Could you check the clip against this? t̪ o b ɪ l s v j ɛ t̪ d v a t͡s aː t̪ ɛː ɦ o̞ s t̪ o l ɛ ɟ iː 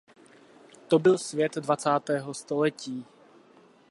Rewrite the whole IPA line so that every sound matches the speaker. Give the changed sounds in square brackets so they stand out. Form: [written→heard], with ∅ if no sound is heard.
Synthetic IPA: t̪ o b ɪ l s v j ɛ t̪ d v a t͡s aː t̪ ɛː ɦ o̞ s t̪ o l ɛ [ɟ→c] iː